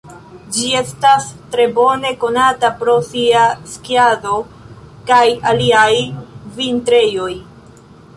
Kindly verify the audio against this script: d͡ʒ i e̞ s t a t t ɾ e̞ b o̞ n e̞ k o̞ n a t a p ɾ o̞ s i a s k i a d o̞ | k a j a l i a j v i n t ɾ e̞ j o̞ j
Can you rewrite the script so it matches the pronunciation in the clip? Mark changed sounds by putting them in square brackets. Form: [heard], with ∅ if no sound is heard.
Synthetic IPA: d͡ʒ i e̞ s t a [s] t ɾ e̞ b o̞ n e̞ k o̞ n a t a p ɾ o̞ s i a s k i a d o̞ | k a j a l i a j v i n t ɾ e̞ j o̞ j